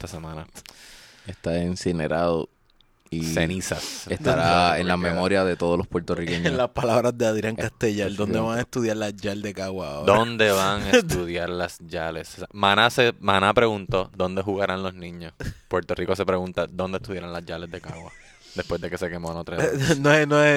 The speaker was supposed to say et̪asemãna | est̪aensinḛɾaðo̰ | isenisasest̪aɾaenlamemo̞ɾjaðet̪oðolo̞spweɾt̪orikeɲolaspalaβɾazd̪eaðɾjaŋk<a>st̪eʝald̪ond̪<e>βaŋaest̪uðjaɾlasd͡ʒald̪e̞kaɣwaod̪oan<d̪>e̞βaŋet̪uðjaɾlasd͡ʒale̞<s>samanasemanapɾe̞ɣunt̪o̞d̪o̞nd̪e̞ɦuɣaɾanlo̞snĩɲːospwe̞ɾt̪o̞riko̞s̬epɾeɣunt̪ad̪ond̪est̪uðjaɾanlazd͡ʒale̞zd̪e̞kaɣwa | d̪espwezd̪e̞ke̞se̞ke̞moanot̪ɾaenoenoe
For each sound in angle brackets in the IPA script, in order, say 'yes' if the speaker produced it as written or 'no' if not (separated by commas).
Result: yes, yes, yes, yes